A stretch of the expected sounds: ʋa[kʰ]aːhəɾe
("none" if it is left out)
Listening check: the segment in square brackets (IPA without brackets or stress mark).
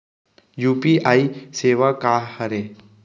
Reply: k